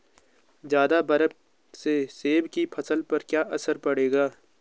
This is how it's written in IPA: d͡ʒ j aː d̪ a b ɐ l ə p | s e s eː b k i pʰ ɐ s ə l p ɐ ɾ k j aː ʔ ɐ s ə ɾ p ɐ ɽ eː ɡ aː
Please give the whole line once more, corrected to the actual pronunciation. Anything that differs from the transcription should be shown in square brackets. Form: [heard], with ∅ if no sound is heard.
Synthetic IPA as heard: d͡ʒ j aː d̪ a b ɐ [ɾ] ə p | s e s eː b k i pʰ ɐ s ə l p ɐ ɾ k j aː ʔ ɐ s ə ɾ p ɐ ɽ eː ɡ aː